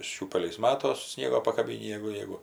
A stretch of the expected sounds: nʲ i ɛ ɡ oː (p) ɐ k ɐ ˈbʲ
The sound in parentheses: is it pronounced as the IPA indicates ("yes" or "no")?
yes